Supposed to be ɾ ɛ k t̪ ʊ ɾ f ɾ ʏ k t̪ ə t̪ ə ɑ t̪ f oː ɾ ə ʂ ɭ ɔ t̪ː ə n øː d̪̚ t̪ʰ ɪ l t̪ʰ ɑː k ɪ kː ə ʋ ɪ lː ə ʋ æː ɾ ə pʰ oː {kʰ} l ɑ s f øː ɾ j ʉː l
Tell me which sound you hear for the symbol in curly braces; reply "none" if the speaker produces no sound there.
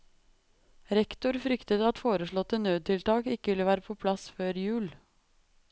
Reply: pʰ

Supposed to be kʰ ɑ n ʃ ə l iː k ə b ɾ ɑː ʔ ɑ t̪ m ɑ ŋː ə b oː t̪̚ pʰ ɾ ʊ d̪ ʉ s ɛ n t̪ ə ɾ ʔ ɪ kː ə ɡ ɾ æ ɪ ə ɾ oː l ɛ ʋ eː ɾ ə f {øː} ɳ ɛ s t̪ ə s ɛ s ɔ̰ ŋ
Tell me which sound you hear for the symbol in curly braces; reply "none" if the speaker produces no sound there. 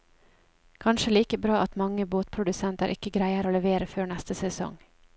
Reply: øː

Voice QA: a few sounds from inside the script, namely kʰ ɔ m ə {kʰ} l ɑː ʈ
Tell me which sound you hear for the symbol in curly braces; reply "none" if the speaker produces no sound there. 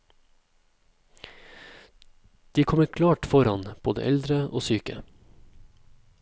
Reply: kʰ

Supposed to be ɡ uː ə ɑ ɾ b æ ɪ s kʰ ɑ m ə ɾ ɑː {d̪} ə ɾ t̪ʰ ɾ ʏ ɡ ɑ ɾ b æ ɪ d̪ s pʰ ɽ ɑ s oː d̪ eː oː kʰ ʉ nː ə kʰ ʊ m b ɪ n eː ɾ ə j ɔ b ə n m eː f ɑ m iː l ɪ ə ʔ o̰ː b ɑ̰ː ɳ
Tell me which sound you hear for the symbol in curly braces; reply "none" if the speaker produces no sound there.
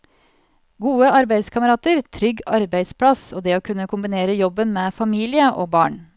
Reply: t̪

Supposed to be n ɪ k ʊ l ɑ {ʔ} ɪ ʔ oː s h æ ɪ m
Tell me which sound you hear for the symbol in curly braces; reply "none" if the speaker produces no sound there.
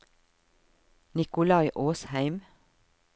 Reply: none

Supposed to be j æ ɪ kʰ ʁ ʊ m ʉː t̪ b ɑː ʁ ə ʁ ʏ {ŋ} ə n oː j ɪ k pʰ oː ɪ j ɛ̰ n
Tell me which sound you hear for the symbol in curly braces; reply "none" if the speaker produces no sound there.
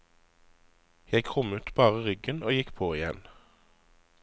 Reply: ɡ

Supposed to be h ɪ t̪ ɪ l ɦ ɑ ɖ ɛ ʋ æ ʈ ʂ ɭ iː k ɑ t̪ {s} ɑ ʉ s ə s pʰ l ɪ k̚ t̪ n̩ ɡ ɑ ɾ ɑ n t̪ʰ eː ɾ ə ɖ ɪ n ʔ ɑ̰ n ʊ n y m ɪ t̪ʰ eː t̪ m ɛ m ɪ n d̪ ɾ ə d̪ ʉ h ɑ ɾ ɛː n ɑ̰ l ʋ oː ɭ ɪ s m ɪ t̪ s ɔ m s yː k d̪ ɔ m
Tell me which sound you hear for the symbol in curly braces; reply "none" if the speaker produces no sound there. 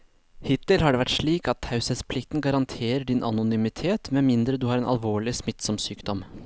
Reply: h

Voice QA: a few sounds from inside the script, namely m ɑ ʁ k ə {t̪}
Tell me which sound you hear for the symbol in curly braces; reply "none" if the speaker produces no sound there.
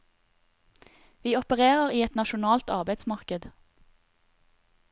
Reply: d̪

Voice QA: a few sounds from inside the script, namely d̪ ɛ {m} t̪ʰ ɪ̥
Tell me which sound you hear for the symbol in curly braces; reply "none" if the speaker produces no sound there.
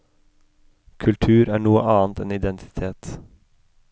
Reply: n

